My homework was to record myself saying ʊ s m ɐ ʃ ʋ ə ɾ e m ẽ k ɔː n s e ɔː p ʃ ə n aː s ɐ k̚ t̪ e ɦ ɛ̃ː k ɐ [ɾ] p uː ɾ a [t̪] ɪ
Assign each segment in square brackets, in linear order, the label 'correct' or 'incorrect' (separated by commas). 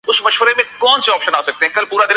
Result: incorrect, incorrect